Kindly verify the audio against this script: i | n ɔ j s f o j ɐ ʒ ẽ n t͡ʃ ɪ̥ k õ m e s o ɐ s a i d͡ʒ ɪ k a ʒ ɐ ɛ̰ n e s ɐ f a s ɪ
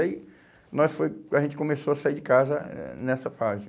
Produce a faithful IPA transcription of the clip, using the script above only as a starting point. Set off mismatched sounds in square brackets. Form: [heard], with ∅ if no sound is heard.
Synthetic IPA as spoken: i | n ɔ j s f o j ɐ ʒ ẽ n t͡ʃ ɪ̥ k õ m e s o ɐ s a i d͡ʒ ɪ k a [z] ɐ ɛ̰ n [ɛ] s ɐ f a [z] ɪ